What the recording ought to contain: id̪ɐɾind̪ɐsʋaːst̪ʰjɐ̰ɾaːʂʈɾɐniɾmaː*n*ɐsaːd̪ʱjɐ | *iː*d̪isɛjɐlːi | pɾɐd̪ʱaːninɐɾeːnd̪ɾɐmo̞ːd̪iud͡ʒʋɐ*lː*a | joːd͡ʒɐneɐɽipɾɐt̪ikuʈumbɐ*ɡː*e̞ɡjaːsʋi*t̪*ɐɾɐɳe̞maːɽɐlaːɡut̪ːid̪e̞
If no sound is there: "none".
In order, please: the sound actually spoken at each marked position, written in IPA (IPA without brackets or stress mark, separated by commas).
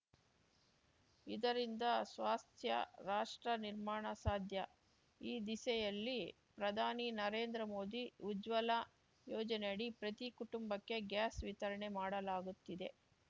ɳ, iː, l, kː, t̪